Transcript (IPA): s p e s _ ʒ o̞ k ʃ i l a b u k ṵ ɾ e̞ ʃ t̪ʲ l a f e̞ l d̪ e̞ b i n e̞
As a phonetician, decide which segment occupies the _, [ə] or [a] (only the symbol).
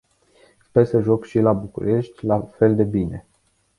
ə